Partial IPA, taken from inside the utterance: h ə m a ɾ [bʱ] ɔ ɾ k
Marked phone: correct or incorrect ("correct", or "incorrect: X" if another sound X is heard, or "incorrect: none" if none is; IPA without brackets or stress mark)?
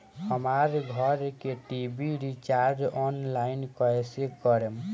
incorrect: ɡʱ